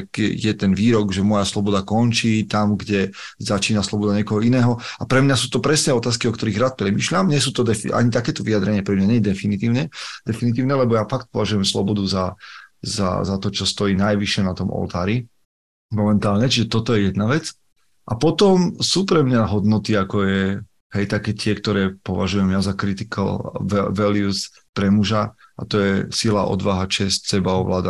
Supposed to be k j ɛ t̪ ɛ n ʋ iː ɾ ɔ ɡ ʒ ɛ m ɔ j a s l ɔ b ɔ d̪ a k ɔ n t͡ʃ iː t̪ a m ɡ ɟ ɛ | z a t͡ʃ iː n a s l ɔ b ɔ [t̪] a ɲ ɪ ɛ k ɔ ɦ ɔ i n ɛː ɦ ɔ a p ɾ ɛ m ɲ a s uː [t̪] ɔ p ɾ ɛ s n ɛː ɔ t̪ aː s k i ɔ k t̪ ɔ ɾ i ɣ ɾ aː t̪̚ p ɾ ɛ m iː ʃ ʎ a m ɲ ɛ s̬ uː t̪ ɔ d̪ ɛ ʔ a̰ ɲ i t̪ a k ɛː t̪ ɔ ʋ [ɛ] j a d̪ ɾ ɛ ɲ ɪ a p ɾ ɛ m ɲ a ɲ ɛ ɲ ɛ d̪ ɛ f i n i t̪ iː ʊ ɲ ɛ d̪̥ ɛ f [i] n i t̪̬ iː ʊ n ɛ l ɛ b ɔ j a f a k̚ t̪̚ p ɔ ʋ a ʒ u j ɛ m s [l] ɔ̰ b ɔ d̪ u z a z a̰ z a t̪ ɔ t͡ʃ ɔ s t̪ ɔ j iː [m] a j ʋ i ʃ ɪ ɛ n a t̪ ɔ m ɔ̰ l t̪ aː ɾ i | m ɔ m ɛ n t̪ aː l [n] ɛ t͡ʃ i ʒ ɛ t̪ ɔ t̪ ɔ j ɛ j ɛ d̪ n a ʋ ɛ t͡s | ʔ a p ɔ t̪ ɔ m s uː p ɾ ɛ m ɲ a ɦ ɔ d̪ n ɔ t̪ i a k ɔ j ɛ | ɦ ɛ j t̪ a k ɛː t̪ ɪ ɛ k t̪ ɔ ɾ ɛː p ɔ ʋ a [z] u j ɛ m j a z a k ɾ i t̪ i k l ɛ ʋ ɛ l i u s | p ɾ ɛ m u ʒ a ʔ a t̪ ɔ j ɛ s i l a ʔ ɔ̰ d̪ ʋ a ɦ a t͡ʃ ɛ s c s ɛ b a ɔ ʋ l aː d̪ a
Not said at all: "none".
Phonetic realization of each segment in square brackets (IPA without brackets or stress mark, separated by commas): d̪, t̪, i, i, l, n, ɲ, ʒ